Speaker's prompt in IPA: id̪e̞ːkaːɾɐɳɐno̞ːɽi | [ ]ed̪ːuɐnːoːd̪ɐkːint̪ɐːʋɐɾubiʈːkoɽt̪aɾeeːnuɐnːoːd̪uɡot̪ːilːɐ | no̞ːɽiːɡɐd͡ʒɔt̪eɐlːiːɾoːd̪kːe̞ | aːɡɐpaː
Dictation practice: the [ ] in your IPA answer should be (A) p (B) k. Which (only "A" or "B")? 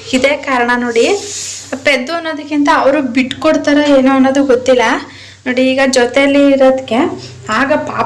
A